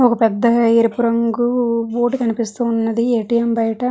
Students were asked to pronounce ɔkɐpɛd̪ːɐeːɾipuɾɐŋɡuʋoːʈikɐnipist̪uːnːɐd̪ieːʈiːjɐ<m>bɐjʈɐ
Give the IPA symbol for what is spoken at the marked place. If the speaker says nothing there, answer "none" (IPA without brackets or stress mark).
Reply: m